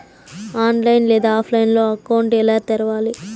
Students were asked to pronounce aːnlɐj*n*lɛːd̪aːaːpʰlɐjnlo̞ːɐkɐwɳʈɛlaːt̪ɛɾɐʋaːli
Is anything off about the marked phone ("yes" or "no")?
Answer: no